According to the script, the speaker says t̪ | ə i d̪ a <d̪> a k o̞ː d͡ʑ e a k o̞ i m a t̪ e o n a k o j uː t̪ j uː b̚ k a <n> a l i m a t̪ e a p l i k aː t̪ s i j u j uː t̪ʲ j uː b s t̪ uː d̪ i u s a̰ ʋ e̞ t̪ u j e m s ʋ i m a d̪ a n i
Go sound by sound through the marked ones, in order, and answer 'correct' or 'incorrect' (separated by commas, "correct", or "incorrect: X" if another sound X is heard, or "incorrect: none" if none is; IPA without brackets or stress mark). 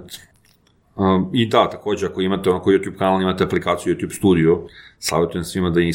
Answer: incorrect: t̪, correct